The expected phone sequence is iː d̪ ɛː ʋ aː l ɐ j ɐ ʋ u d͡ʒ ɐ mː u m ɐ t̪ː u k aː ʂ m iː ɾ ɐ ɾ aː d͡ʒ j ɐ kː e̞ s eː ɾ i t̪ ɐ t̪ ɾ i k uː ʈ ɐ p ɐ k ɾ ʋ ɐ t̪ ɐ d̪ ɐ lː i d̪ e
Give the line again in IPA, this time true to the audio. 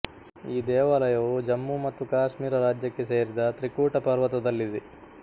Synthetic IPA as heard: iː d̪ ɛː ʋ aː l ɐ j ɐ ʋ u d͡ʒ ɐ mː u m ɐ t̪ː u k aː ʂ m iː ɾ ɐ ɾ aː d͡ʒ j ɐ kː e̞ s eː ɾ i d̪ ɐ t̪ ɾ i k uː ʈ ɐ p ɐ ɾ ʋ ɐ t̪ ɐ d̪ ɐ lː i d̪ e